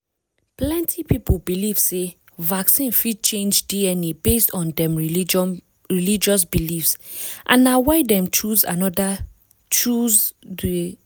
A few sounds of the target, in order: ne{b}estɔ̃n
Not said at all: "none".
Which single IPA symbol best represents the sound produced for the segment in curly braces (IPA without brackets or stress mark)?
b